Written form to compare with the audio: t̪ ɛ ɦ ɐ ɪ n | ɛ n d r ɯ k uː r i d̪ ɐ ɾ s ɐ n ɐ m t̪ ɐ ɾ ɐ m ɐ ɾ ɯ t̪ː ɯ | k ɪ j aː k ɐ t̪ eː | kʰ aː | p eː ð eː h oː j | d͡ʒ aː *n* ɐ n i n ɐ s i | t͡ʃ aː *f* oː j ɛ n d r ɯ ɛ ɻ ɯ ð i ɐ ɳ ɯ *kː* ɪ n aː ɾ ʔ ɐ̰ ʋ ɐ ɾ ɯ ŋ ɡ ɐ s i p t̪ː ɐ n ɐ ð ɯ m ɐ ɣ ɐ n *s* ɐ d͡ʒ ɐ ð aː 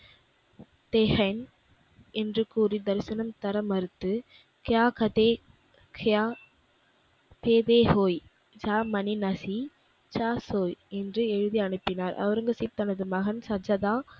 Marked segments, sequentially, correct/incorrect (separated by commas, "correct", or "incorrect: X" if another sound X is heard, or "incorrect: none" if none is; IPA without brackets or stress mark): incorrect: m, incorrect: s, incorrect: pː, correct